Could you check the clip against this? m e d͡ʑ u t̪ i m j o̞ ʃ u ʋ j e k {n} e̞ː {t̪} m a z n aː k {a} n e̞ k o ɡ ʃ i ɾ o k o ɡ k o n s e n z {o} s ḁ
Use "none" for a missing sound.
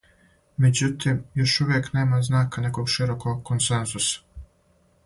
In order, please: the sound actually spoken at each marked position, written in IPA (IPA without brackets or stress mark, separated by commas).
n, none, a, u